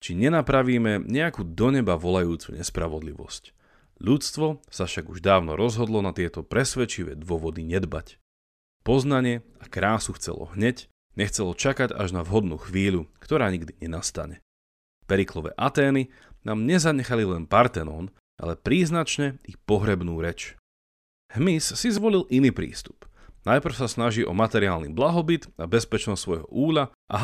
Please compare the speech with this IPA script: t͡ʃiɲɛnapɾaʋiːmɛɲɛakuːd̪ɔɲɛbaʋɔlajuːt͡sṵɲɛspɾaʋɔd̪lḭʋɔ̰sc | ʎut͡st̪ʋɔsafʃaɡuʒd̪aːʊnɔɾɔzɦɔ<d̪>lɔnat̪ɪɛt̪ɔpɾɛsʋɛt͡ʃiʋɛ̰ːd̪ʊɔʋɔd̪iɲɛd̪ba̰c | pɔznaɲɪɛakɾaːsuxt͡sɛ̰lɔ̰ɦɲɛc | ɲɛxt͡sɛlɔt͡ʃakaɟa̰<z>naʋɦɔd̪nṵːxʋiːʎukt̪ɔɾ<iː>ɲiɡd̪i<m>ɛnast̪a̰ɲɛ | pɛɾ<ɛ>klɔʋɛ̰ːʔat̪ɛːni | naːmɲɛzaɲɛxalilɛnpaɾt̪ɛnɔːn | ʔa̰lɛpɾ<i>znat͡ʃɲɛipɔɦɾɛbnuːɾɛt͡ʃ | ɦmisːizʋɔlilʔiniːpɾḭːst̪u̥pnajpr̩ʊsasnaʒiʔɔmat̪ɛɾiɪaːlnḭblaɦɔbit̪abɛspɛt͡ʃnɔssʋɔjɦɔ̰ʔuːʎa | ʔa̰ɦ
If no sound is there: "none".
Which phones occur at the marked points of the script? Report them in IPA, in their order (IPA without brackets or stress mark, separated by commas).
d̪, ʒ, aː, ɲ, i, iː